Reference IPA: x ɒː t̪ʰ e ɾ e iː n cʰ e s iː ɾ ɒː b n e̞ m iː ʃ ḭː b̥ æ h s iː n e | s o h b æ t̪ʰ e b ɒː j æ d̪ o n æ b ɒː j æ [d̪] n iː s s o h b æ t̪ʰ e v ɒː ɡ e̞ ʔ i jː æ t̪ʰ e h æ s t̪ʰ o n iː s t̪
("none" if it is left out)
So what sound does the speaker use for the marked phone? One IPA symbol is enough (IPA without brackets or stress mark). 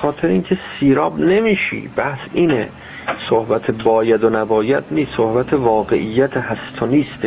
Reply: d̪